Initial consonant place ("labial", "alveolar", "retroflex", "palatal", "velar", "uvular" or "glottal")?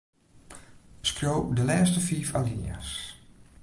alveolar